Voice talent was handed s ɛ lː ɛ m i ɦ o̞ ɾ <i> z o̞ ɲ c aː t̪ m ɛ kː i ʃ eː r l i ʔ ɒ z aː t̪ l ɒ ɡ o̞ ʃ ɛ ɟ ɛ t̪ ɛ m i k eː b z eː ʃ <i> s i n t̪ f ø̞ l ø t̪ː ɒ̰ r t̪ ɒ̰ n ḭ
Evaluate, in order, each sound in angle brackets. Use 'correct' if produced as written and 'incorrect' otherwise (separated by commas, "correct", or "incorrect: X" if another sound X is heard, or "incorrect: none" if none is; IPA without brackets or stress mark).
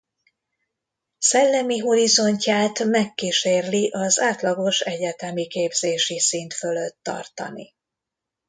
correct, correct